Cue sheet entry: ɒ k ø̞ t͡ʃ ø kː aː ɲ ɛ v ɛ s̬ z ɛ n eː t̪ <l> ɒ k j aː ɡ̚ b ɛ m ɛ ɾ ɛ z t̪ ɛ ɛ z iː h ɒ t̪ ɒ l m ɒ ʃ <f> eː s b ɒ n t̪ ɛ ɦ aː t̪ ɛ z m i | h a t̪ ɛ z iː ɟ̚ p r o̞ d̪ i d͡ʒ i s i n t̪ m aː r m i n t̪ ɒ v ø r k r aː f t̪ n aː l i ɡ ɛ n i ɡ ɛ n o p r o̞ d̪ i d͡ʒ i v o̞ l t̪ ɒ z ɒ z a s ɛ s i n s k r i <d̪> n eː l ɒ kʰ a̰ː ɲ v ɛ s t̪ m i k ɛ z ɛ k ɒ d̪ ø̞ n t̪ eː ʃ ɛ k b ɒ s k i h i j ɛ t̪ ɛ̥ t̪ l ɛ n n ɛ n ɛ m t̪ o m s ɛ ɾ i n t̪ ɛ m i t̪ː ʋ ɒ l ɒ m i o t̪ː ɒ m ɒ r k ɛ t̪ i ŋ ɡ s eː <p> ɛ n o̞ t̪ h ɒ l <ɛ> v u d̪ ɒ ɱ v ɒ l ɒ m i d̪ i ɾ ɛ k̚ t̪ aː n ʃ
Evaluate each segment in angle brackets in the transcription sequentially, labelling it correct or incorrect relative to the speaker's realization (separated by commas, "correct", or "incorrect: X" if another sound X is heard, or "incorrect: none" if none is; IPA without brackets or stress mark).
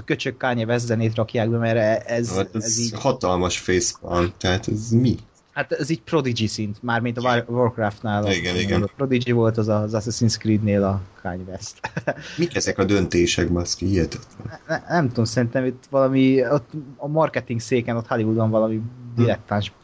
incorrect: r, correct, correct, incorrect: k, incorrect: i